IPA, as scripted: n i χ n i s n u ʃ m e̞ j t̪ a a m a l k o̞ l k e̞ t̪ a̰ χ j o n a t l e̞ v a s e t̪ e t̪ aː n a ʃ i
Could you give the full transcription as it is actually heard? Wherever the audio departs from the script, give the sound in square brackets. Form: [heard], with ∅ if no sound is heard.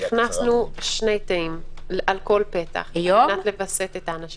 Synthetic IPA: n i χ n [a] s n u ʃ [n] e̞ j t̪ a [i] m a l k o̞ l [p] e̞ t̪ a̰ χ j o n a t l e̞ v a s e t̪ e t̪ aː n a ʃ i